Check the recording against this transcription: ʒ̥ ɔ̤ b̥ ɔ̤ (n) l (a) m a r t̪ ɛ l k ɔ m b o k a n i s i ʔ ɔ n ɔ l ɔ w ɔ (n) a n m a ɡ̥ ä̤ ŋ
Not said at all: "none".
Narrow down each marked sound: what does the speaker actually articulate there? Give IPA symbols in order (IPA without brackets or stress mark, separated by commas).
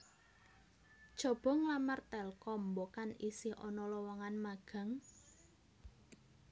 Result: ŋ, a, ŋ